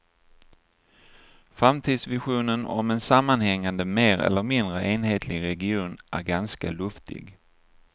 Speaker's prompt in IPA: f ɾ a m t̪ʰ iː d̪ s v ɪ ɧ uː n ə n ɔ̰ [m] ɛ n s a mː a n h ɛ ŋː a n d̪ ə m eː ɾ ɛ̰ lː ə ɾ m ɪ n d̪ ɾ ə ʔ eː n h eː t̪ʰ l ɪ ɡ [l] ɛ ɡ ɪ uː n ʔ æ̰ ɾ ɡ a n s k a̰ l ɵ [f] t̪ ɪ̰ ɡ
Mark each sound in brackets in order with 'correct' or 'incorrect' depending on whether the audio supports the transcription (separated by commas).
correct, incorrect, correct